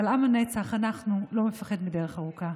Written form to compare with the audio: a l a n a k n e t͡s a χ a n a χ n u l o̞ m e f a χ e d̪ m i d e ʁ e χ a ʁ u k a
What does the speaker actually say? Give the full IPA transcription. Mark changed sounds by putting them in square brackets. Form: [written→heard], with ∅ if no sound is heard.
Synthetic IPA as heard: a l a [n→m] a [k→∅] n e t͡s a χ a n a χ n u l o̞ m e f a χ e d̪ m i d e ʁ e χ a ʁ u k a